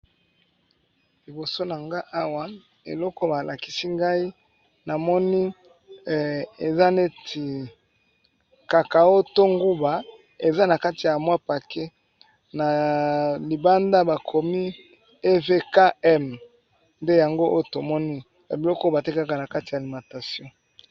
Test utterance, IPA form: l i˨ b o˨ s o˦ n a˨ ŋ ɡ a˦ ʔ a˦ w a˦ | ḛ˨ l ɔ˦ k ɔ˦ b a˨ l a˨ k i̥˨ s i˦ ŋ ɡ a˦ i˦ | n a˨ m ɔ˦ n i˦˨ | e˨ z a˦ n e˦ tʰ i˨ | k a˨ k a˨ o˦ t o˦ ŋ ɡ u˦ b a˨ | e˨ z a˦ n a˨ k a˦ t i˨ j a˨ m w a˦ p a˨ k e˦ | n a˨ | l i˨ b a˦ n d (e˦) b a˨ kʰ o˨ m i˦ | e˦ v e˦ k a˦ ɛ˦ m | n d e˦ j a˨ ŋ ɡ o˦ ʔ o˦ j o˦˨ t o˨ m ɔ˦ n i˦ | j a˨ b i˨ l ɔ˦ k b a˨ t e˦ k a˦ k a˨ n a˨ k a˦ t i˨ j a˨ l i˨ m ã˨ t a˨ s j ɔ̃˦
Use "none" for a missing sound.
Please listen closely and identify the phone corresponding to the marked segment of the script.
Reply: a˦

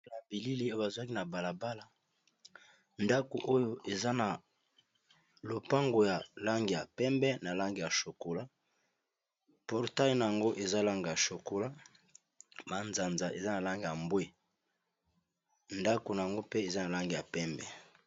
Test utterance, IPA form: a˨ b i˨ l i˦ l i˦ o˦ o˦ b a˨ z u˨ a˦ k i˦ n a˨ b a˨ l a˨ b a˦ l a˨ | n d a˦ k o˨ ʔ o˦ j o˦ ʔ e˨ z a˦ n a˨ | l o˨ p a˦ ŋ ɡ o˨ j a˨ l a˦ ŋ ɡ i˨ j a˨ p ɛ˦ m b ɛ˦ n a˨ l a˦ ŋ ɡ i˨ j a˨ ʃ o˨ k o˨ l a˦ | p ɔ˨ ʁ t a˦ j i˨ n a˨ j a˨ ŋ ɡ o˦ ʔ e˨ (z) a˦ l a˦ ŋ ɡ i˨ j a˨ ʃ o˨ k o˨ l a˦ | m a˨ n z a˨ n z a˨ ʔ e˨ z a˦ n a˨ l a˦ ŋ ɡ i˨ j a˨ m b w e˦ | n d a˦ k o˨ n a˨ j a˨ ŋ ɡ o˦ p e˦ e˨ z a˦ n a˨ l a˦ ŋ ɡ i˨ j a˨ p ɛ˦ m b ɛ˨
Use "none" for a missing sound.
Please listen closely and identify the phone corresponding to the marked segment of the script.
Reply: z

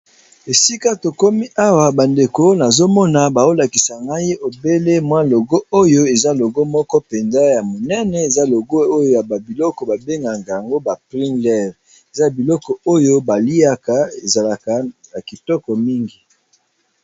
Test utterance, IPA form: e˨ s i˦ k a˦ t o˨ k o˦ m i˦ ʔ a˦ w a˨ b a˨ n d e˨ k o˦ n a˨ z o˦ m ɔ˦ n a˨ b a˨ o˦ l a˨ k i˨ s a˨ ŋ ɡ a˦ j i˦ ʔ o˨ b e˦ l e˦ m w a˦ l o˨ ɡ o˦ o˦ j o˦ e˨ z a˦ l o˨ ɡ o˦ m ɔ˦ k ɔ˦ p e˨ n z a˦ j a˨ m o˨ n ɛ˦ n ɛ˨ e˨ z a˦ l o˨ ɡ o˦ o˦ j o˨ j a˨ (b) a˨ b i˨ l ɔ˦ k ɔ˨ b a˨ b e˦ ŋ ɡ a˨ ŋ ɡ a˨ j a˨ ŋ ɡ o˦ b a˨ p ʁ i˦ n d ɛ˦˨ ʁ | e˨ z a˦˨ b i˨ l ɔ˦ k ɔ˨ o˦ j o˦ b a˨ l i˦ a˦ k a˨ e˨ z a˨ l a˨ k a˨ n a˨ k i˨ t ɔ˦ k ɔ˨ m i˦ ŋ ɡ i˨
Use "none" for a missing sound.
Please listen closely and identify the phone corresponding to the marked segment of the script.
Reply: b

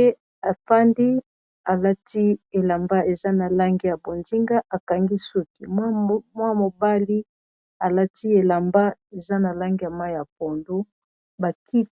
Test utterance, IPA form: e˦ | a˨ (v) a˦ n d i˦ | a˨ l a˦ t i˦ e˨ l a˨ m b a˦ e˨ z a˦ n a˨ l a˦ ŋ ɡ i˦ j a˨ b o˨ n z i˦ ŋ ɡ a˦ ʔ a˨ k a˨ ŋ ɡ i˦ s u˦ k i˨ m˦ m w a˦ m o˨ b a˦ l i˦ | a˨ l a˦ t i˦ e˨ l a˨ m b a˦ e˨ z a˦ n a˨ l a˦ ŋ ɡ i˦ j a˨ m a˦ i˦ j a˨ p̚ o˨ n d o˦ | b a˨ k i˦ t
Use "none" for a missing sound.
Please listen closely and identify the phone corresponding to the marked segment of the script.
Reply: f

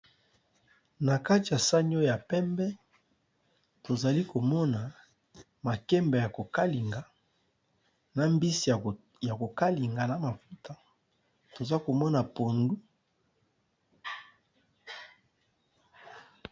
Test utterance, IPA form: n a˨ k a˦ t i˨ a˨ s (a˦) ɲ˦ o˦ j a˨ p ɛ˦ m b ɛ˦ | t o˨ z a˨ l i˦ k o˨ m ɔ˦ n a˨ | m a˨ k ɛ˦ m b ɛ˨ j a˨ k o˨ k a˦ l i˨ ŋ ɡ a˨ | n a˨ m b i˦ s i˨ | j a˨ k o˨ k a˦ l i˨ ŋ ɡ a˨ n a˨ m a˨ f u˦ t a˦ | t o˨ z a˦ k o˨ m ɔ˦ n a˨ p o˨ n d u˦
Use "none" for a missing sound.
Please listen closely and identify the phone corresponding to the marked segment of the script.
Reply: a˦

